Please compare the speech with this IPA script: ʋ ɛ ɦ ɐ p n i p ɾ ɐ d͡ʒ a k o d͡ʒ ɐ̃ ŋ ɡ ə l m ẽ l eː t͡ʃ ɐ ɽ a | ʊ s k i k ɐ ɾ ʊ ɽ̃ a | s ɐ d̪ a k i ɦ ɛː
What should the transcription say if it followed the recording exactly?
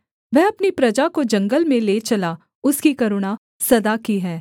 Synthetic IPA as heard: ʋ ɛ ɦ ɐ p n i p ɾ ɐ d͡ʒ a k o d͡ʒ ɐ̃ ŋ ɡ ə l m ẽ l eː t͡ʃ ɐ l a | ʊ s k i k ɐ ɾ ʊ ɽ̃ a | s ɐ d̪ a k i ɦ ɛː